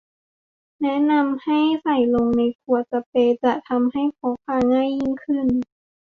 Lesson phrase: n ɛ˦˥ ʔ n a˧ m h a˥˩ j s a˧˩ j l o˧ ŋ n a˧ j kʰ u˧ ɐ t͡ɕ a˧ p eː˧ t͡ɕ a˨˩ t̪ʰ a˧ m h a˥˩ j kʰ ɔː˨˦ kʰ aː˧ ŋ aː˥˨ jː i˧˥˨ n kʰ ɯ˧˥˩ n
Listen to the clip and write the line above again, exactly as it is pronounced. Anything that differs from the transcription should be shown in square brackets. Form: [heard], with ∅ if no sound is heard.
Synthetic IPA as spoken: n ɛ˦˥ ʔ n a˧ m h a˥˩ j s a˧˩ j l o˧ ŋ n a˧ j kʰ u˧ ɐ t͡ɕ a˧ p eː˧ t͡ɕ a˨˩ t̪ʰ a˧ m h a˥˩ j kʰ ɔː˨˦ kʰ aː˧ ŋ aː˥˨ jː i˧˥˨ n kʰ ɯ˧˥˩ n